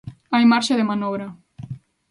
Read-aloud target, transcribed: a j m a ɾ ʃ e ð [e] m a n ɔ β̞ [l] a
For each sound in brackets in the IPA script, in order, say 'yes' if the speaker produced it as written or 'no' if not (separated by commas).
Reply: yes, no